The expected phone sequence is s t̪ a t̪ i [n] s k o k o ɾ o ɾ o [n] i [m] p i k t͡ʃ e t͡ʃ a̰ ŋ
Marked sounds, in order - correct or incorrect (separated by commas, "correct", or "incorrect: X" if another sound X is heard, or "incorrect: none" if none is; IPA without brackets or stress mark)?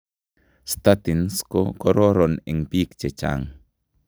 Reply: correct, correct, incorrect: ŋ